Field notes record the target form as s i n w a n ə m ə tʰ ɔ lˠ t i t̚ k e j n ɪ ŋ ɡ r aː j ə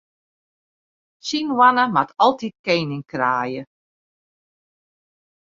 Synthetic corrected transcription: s i n w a n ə m a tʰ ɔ lˠ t i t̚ k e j n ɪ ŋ k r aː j ə